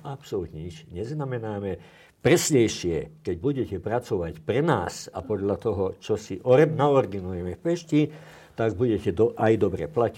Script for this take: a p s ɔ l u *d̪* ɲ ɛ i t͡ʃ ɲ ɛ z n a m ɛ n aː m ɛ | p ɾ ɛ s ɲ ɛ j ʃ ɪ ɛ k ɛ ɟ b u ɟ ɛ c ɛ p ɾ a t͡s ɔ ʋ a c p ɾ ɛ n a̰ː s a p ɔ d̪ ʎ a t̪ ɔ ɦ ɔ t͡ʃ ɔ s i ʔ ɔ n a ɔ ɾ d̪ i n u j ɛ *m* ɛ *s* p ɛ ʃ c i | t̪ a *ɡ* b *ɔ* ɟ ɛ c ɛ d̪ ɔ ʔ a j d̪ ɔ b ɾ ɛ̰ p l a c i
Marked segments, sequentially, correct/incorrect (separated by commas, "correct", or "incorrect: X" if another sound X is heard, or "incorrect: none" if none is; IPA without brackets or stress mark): incorrect: t̪, correct, incorrect: f, correct, incorrect: u